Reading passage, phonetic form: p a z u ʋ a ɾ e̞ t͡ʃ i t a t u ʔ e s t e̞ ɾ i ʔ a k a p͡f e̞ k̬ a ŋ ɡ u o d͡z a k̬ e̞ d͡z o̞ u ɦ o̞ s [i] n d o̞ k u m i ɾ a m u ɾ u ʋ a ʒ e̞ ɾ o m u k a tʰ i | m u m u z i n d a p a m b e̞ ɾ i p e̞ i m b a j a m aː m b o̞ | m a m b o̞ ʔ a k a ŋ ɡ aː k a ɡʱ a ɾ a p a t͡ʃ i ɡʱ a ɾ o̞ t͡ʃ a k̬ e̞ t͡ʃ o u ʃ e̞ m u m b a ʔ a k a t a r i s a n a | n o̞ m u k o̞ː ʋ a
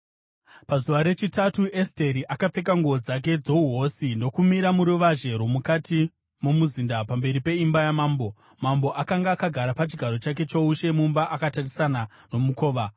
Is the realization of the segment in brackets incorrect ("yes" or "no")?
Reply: no